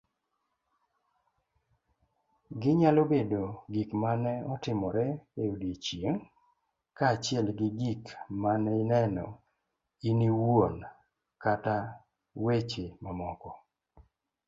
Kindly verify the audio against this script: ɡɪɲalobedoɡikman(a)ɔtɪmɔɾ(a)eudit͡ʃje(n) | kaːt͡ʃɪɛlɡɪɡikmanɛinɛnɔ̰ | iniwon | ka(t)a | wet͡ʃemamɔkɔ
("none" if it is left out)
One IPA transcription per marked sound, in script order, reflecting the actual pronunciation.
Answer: ɛ, ɛ, ŋ, t

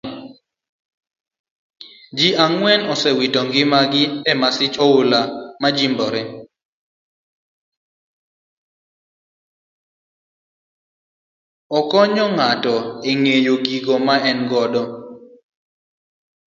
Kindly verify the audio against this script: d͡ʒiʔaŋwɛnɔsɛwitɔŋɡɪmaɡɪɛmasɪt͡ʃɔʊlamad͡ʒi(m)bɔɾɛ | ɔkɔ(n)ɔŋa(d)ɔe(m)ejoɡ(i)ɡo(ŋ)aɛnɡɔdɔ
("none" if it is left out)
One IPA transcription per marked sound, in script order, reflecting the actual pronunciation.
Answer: m, ɲ, t, ŋ, i, m

